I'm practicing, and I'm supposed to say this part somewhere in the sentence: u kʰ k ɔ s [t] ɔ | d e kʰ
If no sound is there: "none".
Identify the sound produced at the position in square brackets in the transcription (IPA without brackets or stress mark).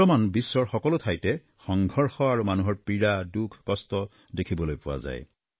t